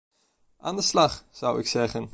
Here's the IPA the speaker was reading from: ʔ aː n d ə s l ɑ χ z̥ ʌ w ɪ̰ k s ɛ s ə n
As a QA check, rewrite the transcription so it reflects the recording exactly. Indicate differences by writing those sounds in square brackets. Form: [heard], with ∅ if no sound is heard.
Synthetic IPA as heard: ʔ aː n d ə s l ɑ χ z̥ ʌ w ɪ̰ k s ɛ [χ] ə n